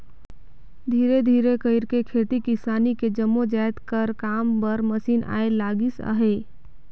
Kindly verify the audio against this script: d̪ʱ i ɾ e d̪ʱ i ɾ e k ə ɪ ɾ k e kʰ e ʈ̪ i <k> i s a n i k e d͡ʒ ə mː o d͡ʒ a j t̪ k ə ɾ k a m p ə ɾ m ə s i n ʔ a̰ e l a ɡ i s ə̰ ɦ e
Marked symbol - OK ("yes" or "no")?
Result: yes